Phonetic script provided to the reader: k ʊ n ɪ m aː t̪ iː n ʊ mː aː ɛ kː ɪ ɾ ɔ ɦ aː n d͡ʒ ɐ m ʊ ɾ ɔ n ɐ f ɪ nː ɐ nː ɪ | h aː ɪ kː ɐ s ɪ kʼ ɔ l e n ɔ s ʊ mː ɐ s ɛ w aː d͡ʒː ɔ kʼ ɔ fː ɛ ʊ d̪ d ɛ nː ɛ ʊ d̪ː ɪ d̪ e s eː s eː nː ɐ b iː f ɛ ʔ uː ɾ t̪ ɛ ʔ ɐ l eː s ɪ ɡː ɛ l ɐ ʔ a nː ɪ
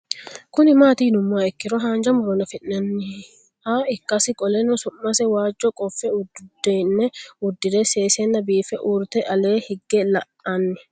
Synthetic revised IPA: k ʊ n ɪ m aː t̪ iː n ʊ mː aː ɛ kː ɪ ɾ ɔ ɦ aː n d͡ʒ ɐ m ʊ ɾ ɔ n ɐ f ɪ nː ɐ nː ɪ | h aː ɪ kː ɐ s ɪ kʼ ɔ l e n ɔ s ʊ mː ɐ s ɛ w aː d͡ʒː ɔ kʼ ɔ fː ɛ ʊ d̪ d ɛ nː ɛ ʊ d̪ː ɪ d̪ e s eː s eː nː ɐ b iː f ɛ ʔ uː ɾ t̪ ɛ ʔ ɐ l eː h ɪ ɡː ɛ l ɐ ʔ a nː ɪ

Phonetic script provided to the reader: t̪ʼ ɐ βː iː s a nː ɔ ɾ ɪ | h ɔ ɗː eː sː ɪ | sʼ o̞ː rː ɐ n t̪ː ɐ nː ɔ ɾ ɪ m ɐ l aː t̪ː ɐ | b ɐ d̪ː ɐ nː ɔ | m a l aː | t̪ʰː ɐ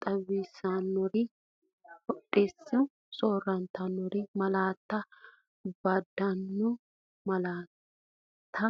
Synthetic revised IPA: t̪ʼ ɐ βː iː s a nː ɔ ɾ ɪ | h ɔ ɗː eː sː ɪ | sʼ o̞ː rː ɐ n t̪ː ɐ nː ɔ ɾ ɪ m ɐ l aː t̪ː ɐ | b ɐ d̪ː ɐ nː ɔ | m ɐ l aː | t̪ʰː ɐ

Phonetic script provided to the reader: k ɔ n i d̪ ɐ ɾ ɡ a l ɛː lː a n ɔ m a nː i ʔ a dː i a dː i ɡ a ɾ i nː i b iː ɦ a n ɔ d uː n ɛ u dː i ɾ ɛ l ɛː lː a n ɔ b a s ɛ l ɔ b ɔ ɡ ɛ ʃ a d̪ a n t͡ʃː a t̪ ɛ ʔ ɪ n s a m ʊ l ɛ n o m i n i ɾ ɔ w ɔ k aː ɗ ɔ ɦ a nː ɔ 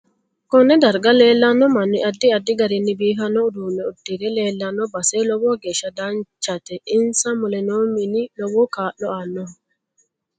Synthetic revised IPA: k ɔ n ɛ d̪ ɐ ɾ ɡ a l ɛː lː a n ɔ m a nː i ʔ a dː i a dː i ɡ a ɾ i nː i b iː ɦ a n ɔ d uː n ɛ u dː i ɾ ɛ l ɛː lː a n ɔ b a s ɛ l ɔ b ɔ ɡ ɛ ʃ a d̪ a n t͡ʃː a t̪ ɛ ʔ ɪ n s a m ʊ l ɛ n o m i n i l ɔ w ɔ k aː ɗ ɔ a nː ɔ

